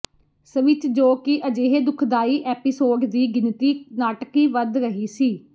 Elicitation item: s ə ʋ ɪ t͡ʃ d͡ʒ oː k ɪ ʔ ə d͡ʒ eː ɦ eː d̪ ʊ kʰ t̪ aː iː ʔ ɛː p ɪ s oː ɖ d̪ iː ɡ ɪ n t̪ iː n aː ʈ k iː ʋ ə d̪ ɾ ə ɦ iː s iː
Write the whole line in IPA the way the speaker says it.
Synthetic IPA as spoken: s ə ʋ ɪ t͡ʃ d͡ʒ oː k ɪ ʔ ə d͡ʒ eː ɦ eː d̪ ʊ kʰ d̪ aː iː ʔ ɛː p ɪ s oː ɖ d̪ iː ɡ ɪ n t̪ iː n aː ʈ k iː ʋ ə d̪ ɾ ə ɦ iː s iː